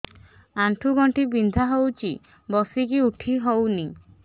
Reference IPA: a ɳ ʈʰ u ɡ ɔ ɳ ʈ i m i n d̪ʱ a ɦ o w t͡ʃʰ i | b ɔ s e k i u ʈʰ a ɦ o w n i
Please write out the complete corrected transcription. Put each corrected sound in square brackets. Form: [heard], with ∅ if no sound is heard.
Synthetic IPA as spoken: a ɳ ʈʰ u ɡ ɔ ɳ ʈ i [b] i n d̪ʱ a ɦ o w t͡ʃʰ i | b ɔ s [i] k i u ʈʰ [i] ɦ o w n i